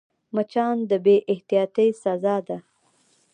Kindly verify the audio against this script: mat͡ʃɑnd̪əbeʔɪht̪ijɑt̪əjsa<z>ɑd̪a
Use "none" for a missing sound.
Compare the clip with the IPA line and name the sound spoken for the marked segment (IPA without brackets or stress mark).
z